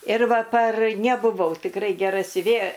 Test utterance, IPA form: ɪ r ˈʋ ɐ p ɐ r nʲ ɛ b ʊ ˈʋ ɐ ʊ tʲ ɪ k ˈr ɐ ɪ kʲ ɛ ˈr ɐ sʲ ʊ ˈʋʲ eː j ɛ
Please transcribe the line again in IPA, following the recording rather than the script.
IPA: ɪ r ˈʋ ɐ p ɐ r nʲ ɛ b ʊ ˈʋ ɐ ʊ tʲ ɪ k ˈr ɐ ɪ ɡʲ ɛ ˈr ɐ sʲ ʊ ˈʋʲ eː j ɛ